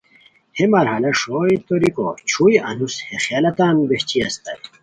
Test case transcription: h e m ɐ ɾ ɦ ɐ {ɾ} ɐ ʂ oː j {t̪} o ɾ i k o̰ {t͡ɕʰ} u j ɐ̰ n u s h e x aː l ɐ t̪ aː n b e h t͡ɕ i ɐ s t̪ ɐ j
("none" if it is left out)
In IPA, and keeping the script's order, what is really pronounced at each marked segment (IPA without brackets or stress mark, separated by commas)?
l, t̪, t͡ɕʰ